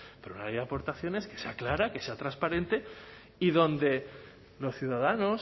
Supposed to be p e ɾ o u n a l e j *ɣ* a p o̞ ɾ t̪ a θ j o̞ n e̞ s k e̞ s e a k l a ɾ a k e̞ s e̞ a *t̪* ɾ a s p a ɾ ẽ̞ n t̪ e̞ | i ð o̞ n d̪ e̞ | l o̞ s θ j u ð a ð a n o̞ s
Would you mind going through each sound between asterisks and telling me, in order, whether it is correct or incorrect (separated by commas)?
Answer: incorrect, correct